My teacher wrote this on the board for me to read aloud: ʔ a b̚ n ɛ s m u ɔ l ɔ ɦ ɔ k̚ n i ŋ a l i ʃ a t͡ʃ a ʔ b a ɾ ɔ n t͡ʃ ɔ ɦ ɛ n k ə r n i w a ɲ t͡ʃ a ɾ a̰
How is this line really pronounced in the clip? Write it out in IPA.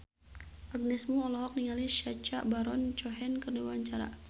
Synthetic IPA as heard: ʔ a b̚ n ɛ s m u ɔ l ɔ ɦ ɔ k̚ n i ŋ a l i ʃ a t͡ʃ a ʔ b a ɾ ɔ n t͡ʃ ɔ ɦ ɛ n k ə r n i w a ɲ t͡ʃ a ɾ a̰